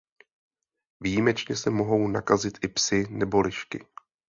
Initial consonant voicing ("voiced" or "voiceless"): voiced